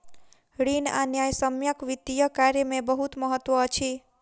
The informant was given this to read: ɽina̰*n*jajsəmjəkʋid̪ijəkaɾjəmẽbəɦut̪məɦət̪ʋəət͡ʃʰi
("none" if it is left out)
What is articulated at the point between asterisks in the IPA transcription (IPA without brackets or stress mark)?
n